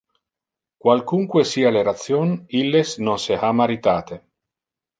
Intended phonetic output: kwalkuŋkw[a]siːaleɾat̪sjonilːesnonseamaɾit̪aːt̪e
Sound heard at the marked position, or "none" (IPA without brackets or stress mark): e